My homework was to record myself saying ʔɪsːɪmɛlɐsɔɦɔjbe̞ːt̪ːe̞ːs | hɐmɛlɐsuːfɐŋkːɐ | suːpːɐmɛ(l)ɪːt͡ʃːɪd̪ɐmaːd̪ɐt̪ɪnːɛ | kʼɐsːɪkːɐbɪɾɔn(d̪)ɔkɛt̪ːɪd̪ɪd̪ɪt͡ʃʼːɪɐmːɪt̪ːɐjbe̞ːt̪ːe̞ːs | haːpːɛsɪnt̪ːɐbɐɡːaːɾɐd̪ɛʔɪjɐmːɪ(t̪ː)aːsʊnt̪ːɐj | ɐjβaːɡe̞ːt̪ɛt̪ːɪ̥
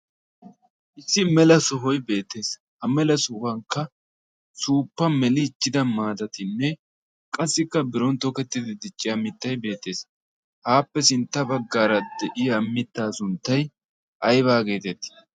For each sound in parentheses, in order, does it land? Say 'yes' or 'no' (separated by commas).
yes, no, yes